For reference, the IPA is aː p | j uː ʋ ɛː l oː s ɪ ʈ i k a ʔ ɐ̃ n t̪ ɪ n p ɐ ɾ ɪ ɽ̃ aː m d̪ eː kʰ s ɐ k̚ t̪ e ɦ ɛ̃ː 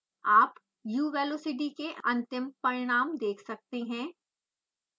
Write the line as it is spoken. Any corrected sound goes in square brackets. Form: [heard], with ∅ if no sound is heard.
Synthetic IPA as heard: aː p | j uː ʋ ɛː l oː s ɪ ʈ i k [e] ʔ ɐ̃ n t̪ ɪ [m] p ɐ ɾ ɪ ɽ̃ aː m d̪ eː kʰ s ɐ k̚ t̪ e ɦ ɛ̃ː